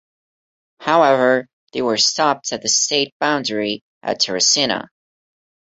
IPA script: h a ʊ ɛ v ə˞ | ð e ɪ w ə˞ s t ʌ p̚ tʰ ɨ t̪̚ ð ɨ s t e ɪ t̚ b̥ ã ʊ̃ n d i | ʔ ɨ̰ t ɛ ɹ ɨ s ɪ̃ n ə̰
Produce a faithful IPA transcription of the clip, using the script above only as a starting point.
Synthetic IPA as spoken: h a ʊ ɛ v ə˞ | ð e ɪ w ə˞ s t ɑ p̚ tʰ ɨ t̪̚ ð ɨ s t e ɪ t̚ b̥ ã ʊ̃ n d i | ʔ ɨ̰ tʰ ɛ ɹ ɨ s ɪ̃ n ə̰